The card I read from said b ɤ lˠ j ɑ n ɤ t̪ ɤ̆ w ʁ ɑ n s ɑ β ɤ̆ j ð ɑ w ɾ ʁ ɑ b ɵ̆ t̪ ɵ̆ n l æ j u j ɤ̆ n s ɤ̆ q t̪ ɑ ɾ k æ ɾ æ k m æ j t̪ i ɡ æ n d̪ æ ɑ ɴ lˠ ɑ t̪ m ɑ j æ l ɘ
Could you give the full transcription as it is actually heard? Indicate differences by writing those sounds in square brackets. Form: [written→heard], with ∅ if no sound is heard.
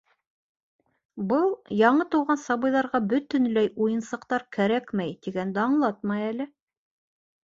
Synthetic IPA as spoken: b ɤ lˠ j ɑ [n→ɴ] ɤ t̪ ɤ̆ w ʁ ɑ n s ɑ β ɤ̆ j ð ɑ [w→∅] ɾ ʁ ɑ b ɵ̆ t̪ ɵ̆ n l æ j u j ɤ̆ n s ɤ̆ q t̪ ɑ ɾ k æ ɾ æ k m æ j t̪ i ɡ æ n d̪ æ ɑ ɴ lˠ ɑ t̪ m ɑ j æ l ɘ